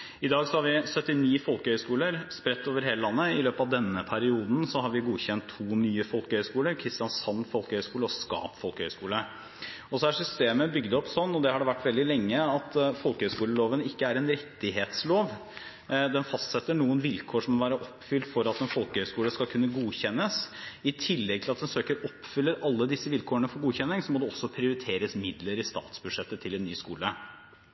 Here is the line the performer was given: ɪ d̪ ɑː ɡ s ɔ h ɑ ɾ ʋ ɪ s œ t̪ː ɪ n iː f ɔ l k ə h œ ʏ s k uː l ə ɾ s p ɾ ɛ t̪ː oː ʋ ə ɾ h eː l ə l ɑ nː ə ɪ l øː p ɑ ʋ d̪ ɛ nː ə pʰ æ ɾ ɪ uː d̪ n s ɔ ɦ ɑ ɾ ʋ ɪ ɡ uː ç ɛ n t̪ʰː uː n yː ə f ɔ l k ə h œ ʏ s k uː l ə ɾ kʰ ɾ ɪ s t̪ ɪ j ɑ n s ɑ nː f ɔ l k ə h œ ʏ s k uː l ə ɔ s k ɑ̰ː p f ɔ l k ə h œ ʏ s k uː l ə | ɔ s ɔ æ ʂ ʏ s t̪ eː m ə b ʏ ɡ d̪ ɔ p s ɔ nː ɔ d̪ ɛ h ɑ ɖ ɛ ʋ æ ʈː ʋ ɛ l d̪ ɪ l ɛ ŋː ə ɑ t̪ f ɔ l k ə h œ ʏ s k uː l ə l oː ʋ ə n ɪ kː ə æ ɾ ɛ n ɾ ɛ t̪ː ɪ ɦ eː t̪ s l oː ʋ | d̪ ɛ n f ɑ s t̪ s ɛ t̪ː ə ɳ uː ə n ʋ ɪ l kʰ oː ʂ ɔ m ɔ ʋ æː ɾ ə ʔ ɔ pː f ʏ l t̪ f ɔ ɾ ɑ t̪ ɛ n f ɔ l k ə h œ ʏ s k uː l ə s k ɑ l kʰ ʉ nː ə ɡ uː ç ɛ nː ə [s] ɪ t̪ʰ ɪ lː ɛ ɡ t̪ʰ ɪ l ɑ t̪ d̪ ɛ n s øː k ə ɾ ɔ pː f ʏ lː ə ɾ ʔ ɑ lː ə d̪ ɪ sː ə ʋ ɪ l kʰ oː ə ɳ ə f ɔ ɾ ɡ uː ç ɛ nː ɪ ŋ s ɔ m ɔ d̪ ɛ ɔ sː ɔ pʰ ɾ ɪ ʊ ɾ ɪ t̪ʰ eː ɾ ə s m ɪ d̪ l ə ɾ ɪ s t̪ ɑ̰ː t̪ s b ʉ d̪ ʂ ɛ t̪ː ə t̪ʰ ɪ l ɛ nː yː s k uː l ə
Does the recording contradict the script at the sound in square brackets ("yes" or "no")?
no